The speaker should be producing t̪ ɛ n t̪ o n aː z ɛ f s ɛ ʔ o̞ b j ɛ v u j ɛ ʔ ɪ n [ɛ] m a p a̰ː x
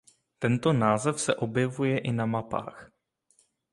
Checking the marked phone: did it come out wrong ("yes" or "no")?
yes